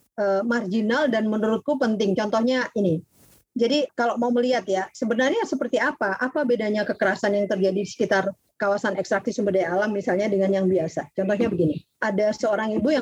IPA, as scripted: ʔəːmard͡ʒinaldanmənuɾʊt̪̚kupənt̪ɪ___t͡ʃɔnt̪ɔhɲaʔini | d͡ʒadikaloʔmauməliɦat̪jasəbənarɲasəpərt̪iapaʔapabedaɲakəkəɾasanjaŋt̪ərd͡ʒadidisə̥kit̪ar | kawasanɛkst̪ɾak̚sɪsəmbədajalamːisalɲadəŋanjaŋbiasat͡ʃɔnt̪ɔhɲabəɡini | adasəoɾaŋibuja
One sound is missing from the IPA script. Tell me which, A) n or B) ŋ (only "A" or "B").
B